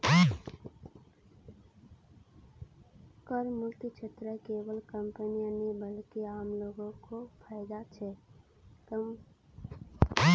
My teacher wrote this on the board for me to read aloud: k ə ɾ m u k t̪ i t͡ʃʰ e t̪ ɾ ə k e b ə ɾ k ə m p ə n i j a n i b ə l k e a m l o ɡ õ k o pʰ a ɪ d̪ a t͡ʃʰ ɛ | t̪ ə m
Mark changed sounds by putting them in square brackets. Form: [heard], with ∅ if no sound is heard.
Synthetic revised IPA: k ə ɾ m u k t̪ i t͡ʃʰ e t̪ ɾ ə k e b ə [l] k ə m p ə n i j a n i b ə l k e a m l o ɡ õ k o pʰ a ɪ d̪ a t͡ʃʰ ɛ | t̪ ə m

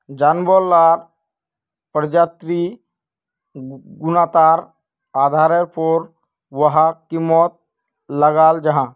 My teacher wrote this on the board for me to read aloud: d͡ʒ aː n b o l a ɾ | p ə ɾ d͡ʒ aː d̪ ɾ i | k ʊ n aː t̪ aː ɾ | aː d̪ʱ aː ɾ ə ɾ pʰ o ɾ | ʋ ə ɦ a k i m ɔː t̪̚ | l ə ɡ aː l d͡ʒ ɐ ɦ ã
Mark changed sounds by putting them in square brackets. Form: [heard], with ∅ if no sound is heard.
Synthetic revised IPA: d͡ʒ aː n b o l a ɾ | p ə ɾ d͡ʒ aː [t̪] ɾ i | [ɡ] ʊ n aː t̪ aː ɾ | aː d̪ʱ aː ɾ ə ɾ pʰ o ɾ | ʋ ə ɦ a k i m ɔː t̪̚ | l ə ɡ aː l d͡ʒ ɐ ɦ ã

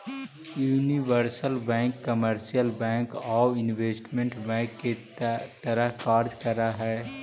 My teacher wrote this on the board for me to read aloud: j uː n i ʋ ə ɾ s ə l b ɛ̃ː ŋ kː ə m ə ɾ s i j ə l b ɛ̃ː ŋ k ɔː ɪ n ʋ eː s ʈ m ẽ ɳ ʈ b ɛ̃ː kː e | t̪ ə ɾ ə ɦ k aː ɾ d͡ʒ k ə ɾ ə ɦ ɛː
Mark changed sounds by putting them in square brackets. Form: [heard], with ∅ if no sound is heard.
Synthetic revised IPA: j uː n i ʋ ə ɾ s ə l b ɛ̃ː ŋ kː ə m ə ɾ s i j ə l b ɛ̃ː ŋ k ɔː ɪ n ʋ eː s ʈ m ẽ ɳ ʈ b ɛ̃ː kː e | t̪ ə ɾ ə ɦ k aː ɾ d͡ʒ k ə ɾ [a] ɦ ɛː

